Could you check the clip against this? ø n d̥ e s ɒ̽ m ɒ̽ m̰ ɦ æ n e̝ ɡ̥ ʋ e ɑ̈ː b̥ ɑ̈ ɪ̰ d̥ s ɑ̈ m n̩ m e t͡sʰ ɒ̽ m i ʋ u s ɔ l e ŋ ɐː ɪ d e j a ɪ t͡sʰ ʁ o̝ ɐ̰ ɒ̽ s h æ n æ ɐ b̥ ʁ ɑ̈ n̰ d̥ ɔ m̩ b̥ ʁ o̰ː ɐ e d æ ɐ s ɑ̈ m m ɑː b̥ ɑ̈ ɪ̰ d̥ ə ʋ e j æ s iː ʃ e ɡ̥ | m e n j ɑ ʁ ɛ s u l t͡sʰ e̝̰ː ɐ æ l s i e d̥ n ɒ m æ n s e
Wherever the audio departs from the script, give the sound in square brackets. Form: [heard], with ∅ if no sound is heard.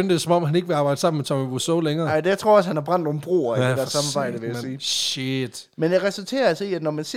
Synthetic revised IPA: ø n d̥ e s ɒ̽ m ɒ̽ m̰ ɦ æ n e̝ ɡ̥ ʋ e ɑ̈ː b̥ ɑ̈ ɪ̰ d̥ s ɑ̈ m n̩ m e t͡sʰ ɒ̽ m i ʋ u s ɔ l e ŋ ɐː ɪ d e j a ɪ t͡sʰ ʁ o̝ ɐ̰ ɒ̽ s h æ n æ ɐ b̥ ʁ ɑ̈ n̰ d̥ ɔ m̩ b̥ ʁ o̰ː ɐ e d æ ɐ s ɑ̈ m m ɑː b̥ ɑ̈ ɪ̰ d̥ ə ʋ e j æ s iː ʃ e [d̥] | m e n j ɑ ʁ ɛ s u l t͡sʰ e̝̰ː ɐ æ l s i [æ] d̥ n ɒ m æ n s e